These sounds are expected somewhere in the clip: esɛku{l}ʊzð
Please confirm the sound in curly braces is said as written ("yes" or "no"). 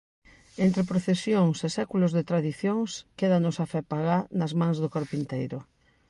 yes